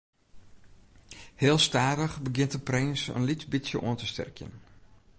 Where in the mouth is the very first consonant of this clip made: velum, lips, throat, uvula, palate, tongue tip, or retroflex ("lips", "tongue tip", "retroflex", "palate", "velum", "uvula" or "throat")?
throat